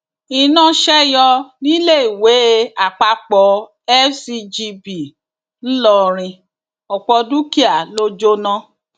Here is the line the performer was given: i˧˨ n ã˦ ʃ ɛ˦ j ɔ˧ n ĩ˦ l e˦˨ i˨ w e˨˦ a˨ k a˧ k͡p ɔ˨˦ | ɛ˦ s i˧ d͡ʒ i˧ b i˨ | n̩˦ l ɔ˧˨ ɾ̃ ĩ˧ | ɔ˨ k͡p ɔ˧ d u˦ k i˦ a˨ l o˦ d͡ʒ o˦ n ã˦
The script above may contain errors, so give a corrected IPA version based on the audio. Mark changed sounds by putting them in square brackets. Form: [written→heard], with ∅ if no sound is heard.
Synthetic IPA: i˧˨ n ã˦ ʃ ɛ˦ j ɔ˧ n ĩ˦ l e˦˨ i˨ w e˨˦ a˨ [k→k͡p] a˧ k͡p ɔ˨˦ | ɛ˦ s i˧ d͡ʒ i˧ b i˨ | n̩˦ l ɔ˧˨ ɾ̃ ĩ˧ | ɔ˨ k͡p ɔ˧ d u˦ k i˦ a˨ l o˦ d͡ʒ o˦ n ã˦

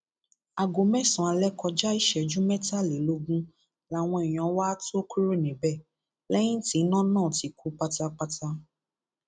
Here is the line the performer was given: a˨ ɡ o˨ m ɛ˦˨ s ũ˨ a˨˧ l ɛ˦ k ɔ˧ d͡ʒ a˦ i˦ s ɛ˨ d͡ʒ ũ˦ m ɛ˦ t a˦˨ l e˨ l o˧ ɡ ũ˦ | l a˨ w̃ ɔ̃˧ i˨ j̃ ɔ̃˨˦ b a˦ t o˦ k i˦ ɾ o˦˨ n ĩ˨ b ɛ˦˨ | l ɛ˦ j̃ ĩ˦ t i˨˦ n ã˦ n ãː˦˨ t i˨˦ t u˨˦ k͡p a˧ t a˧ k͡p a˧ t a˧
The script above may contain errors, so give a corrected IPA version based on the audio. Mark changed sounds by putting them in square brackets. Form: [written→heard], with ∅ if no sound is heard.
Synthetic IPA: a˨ ɡ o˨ m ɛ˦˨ s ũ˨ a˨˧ l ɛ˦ k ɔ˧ d͡ʒ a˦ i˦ [s→ʃ] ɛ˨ d͡ʒ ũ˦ m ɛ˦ t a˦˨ l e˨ l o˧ ɡ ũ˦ | l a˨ w̃ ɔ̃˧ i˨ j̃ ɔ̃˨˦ [b→w] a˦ t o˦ k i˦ ɾ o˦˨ n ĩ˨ b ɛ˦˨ | l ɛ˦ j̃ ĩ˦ t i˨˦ n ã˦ n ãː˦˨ t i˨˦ [t→k] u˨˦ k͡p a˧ t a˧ k͡p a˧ t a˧

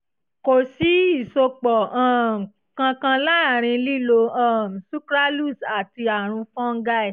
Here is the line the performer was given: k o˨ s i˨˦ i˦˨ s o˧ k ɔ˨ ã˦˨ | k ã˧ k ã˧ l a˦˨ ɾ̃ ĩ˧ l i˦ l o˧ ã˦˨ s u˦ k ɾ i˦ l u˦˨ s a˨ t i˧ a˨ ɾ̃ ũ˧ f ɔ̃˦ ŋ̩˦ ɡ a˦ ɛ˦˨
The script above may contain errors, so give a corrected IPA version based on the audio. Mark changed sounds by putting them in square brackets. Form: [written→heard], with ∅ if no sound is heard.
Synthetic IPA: k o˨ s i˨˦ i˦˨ s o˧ [k→k͡p] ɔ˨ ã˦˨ | k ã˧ k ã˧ l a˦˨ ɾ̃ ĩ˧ l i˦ l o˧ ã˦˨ s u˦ k ɾ [i˦→a˦] l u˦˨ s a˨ t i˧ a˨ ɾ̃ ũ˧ f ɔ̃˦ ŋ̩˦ ɡ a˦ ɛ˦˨

